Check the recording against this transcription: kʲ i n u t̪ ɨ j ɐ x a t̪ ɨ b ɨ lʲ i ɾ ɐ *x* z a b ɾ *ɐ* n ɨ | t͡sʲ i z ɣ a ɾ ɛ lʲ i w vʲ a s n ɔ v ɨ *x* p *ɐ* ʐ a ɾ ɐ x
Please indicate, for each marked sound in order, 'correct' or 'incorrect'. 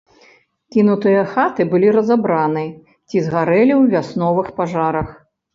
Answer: incorrect: none, incorrect: a, correct, incorrect: a

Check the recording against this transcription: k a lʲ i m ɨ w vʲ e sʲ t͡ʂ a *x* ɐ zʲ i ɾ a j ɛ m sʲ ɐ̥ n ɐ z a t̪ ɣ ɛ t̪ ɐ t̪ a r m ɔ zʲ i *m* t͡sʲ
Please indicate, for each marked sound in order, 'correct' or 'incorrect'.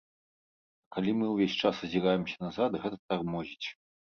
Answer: incorrect: s, incorrect: none

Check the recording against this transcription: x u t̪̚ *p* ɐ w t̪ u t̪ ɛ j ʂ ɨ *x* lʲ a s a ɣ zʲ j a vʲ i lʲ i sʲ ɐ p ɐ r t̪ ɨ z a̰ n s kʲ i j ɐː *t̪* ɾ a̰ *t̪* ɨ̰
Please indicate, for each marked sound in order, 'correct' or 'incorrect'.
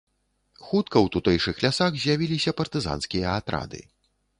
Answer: incorrect: k, correct, correct, incorrect: d̪

